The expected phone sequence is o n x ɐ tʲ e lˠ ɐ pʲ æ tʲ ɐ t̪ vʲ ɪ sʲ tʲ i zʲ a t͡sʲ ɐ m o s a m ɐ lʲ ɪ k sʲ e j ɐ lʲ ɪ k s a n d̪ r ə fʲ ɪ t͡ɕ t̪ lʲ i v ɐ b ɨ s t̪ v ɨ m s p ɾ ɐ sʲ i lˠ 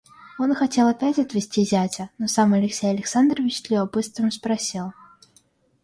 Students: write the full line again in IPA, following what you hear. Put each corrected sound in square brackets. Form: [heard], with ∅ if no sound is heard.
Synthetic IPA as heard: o n x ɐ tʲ e lˠ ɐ pʲ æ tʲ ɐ t̪ vʲ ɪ sʲ tʲ i zʲ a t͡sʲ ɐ [n] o s a m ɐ lʲ ɪ k sʲ e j ɐ lʲ ɪ k s a n d̪ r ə [vʲ] ɪ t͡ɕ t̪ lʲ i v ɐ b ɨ s t̪ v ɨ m s p ɾ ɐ sʲ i lˠ